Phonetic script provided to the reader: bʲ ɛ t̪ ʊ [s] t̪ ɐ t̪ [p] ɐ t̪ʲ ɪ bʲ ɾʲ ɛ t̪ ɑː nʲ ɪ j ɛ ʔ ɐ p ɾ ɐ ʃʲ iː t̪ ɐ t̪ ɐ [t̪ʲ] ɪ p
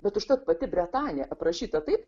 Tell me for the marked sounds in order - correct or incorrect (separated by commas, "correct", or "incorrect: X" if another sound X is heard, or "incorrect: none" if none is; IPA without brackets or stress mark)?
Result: incorrect: ʃ, correct, incorrect: none